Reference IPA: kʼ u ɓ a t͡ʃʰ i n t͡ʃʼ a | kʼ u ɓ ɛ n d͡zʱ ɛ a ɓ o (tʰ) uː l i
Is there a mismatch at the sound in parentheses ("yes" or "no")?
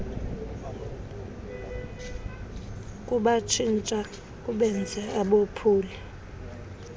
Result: yes